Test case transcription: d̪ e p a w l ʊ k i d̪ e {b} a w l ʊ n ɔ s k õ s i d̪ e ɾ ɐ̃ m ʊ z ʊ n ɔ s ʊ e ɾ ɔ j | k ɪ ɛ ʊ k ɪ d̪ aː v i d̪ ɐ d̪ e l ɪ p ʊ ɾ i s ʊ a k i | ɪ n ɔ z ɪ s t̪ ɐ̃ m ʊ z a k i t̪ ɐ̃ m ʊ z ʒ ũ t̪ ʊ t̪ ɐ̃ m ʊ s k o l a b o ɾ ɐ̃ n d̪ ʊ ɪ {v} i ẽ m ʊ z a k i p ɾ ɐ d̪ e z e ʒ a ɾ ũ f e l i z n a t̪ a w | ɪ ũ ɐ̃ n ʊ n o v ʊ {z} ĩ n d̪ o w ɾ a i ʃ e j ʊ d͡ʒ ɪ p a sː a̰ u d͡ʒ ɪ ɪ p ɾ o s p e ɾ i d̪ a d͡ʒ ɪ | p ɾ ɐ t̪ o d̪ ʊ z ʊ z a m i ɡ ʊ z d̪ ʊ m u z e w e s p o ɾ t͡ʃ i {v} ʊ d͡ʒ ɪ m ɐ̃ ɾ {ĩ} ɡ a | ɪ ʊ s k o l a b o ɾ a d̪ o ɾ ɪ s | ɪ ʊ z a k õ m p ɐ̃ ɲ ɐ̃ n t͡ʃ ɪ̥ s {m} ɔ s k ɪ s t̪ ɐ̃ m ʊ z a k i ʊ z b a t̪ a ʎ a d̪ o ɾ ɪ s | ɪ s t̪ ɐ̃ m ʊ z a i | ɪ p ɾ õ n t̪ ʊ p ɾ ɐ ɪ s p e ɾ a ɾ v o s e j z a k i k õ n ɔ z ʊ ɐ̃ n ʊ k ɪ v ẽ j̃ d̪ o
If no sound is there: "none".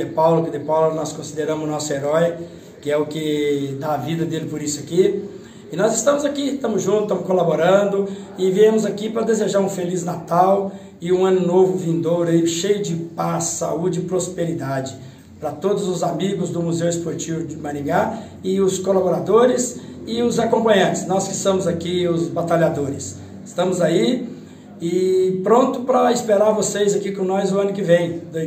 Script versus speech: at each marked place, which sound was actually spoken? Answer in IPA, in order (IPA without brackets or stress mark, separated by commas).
p, v, v, v, ĩ, n